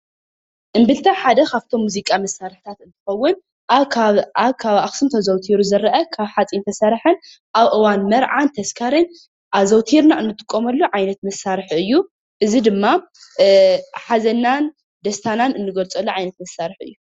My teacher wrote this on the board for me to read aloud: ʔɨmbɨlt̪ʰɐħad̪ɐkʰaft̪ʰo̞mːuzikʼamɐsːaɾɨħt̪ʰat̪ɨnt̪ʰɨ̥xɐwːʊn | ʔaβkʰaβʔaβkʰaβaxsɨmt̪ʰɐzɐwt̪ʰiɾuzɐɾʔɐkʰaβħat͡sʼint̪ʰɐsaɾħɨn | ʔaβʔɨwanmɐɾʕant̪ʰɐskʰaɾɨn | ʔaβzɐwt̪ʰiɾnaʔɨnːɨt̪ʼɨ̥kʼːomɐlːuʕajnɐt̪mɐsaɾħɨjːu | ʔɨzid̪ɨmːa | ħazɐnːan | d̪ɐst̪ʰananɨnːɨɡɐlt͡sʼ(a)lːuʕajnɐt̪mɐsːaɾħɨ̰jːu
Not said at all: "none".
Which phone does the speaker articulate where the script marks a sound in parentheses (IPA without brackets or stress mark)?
ɐ